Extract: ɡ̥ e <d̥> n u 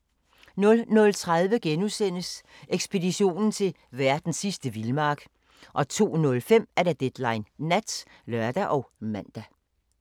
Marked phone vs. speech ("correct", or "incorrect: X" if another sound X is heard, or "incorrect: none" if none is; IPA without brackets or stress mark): incorrect: none